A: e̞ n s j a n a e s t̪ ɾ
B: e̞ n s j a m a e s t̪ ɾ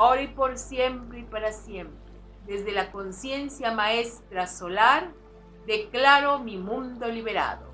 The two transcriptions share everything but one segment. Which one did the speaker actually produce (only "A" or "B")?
B